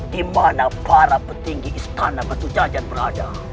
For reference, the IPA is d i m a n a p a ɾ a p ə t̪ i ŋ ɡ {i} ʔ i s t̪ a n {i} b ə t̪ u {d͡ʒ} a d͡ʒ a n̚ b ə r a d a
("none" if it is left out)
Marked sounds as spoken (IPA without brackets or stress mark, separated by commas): i, a, d͡ʒ